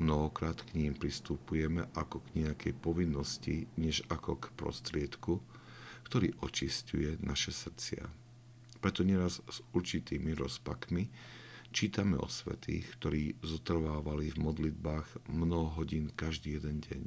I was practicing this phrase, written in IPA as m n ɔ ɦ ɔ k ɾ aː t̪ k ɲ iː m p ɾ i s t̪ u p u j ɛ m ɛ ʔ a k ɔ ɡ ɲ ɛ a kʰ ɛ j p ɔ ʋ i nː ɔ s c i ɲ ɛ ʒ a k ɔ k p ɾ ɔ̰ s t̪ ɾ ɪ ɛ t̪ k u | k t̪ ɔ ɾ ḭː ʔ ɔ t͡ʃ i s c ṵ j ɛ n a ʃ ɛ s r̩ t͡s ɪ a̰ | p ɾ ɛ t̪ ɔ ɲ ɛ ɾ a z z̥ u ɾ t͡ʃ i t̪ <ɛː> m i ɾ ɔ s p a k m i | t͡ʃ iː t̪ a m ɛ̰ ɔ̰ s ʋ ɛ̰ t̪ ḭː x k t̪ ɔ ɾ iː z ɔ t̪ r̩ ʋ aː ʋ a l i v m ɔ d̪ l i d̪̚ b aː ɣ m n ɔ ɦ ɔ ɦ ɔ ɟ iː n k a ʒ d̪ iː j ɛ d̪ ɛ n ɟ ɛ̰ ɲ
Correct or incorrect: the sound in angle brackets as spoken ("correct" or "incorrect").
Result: incorrect